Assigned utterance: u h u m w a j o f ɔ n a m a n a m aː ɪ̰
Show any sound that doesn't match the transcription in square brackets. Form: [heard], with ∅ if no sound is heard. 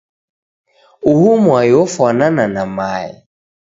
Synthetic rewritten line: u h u m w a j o f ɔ n a [n] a n a m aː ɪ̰